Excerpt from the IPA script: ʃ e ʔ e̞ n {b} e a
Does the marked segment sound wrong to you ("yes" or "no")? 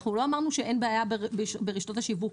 no